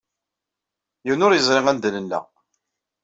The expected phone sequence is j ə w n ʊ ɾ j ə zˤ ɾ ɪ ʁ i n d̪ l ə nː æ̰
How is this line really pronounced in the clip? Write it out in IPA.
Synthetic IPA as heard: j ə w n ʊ ɾ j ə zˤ ɾ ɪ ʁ æ n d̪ l ə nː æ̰